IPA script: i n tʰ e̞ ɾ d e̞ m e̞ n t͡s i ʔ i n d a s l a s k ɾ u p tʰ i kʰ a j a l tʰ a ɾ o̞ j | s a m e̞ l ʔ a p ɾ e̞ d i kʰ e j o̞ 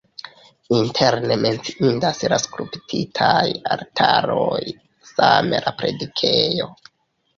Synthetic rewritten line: i n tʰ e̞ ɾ n e̞ m e̞ n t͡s i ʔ i n d a s l a s k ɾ u p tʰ i tʰ a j a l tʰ a ɾ o̞ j | s a m e̞ l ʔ a p ɾ e̞ d i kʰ e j o̞